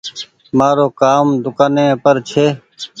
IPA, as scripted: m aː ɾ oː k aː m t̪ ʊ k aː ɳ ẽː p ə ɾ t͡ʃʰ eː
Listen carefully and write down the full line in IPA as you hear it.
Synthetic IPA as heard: m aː ɾ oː k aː m d̪ ʊ k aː n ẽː p ə ɾ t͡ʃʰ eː